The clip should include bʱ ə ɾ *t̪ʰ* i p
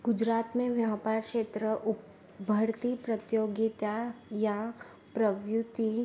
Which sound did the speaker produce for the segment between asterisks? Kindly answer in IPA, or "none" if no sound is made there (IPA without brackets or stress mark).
t̪